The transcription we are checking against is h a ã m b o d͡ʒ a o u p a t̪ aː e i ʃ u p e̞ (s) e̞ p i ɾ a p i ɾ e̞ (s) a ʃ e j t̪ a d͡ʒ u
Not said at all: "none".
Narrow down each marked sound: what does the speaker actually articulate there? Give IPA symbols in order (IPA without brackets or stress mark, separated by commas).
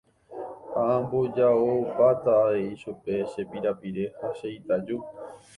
ʃ, h